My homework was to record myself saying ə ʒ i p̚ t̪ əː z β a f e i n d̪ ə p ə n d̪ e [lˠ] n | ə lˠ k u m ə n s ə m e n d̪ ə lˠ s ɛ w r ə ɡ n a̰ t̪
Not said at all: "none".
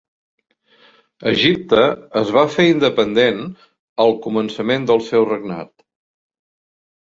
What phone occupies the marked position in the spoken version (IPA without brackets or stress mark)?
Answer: none